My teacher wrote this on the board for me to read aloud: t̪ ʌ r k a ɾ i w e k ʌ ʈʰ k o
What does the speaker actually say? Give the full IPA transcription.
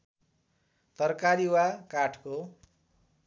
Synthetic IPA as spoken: t̪ ʌ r k a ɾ i w a k a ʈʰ k o